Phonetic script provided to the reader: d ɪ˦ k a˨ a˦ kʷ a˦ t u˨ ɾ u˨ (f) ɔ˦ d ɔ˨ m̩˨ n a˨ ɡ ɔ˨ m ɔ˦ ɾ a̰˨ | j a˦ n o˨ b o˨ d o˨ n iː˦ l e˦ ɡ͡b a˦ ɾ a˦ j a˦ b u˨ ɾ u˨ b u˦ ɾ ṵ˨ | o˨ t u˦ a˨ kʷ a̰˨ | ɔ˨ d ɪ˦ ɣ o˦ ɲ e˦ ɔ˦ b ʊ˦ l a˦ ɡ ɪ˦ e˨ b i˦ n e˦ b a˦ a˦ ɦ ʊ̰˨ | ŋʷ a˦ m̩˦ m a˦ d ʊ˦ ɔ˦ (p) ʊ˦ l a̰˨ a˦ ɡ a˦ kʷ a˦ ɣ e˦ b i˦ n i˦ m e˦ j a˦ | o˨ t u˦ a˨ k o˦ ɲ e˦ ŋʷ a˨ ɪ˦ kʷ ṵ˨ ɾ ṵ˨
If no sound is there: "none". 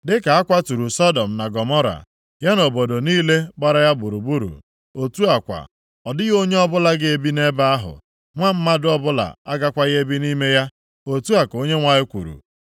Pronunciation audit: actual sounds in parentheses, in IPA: s, b

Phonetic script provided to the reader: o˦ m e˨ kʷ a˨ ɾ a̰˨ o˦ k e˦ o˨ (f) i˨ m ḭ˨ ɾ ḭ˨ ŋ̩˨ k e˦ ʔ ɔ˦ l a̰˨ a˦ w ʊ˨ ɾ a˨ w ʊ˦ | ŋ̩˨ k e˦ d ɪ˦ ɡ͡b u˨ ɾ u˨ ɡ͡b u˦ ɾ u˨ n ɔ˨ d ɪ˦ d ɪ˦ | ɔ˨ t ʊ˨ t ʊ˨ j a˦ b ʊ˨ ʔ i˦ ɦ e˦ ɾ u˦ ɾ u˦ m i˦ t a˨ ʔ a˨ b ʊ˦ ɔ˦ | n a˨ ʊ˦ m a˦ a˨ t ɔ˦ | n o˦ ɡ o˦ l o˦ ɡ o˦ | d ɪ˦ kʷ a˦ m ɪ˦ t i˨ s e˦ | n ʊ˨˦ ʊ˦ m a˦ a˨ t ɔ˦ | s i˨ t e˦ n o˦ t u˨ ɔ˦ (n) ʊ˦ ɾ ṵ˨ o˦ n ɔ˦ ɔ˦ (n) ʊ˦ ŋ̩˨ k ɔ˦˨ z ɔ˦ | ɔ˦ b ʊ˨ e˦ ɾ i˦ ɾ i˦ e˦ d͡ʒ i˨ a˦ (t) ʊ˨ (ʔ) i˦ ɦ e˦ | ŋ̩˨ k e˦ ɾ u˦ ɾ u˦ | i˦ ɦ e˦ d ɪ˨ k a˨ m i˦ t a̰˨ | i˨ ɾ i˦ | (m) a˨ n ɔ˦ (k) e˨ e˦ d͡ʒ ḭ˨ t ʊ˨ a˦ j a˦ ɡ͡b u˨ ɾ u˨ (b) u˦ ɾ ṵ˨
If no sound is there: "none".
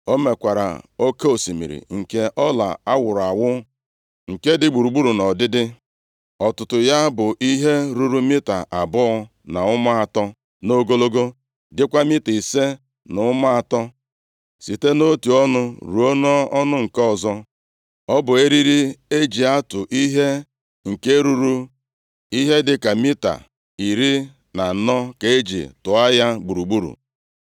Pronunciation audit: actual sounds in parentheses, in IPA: s, n, n, t, ʔ, n, k, ɡ͡b

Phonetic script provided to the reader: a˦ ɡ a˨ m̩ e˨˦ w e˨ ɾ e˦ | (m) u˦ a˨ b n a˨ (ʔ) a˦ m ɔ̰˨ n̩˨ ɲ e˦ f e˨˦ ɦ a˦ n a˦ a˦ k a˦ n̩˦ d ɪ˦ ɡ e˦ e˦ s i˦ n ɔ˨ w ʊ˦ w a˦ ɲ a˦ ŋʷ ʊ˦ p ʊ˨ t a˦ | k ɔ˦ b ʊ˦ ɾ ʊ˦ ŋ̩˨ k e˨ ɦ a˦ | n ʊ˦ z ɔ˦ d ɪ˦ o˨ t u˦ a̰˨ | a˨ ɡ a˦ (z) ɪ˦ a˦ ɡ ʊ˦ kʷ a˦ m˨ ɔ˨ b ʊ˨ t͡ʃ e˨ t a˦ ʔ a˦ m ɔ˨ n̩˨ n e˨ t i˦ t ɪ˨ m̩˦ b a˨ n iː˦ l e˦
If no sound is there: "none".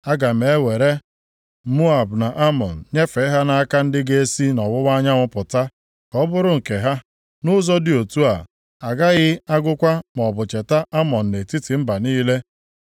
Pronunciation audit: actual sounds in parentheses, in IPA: m, ʔ, ɣ

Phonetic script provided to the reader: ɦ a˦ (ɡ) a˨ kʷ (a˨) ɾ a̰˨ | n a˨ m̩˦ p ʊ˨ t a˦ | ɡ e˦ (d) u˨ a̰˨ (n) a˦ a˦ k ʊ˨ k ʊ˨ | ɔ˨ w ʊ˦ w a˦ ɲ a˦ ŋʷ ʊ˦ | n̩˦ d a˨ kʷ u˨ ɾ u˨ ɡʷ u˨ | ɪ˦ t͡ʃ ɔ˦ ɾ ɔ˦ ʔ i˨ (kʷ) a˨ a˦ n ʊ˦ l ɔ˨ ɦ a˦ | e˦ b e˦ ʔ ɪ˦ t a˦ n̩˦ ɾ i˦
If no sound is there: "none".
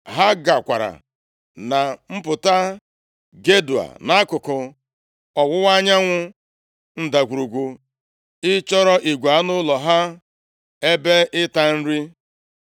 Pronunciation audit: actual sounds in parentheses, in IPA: ɡ, a˨, d, n, ɡʷ

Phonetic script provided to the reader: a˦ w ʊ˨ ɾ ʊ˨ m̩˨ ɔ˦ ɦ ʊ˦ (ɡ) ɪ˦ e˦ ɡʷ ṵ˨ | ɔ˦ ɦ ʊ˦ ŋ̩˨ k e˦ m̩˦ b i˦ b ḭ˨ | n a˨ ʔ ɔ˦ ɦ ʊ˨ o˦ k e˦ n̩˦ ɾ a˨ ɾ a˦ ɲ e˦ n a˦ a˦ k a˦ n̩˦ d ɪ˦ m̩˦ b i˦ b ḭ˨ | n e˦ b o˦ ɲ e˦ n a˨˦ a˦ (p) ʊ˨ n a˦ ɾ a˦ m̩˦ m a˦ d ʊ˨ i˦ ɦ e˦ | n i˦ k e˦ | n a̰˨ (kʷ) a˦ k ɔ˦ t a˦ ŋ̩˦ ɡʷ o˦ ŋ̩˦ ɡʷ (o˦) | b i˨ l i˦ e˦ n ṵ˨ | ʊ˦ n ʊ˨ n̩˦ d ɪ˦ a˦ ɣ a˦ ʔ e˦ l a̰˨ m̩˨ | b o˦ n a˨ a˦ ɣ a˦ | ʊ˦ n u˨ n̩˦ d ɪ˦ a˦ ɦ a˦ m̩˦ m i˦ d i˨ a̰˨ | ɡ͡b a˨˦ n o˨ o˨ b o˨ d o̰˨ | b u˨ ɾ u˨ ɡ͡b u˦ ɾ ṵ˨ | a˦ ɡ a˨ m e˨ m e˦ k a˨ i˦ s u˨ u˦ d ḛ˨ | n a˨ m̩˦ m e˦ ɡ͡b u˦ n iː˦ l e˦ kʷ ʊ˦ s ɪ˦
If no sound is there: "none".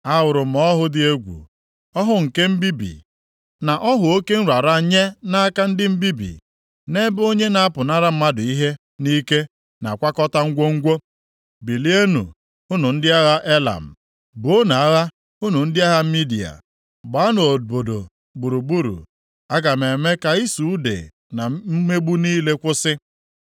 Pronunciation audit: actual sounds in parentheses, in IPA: d, p, kʷ, o˦

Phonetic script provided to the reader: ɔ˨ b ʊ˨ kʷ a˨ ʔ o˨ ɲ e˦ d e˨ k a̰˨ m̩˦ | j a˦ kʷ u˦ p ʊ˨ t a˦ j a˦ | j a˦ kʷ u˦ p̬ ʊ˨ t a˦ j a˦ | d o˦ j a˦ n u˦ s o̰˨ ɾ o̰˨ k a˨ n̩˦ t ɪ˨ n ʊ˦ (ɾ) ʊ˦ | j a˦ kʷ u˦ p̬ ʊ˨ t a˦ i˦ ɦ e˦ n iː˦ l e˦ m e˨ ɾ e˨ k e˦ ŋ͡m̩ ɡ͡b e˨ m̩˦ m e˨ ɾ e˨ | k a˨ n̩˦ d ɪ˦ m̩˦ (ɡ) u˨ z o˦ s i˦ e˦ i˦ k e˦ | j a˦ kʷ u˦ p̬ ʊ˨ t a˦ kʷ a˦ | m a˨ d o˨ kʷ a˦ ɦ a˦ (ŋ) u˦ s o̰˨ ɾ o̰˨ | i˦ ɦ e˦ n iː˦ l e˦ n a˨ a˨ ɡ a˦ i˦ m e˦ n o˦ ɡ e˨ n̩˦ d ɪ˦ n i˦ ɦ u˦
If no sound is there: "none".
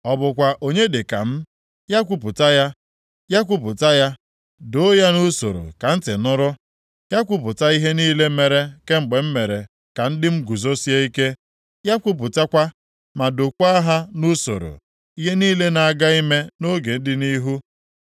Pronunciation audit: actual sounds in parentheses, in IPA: ɾ, ɡ, n

